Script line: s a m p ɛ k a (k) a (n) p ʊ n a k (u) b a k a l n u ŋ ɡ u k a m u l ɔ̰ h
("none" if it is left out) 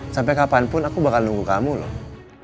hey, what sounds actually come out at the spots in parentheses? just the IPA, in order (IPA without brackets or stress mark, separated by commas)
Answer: p, n, u